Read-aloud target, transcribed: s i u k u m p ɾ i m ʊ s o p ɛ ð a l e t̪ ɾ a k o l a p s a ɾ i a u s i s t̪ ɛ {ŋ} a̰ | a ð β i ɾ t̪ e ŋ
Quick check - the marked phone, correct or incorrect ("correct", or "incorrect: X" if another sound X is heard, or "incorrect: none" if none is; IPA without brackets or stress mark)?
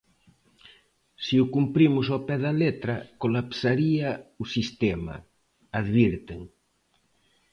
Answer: incorrect: m